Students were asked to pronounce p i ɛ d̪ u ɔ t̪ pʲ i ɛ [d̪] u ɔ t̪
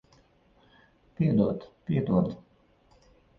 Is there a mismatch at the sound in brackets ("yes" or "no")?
no